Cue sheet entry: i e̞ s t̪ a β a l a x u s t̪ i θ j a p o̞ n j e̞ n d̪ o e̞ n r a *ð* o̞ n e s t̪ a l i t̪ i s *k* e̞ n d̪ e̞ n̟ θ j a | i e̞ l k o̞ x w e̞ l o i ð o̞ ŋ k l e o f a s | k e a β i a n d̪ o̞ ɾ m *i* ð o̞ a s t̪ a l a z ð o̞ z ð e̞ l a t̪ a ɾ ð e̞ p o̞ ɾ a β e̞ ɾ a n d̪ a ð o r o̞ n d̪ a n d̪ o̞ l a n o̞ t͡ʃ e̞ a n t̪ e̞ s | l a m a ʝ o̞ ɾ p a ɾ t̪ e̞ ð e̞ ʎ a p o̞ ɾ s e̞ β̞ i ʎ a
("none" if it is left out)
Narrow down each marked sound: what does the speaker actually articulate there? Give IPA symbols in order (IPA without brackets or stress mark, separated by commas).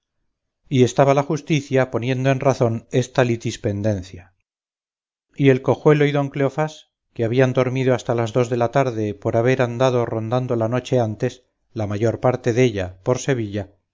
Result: θ, p, i